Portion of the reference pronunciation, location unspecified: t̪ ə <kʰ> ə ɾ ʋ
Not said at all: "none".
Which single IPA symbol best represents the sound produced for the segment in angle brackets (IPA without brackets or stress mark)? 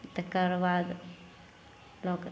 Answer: k